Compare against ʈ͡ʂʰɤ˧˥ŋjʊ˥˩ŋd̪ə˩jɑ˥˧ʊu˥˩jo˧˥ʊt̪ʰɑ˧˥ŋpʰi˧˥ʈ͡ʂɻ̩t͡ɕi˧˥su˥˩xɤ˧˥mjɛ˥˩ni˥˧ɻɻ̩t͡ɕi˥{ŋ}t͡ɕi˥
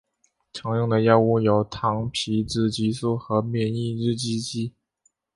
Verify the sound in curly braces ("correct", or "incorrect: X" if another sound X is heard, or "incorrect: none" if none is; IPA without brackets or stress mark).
incorrect: none